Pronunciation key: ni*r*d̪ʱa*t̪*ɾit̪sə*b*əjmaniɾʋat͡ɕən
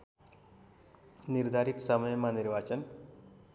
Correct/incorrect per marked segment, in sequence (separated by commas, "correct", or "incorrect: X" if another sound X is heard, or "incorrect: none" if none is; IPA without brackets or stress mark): incorrect: ɾ, incorrect: none, incorrect: m